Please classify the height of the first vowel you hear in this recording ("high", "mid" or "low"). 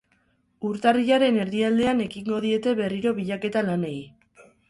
high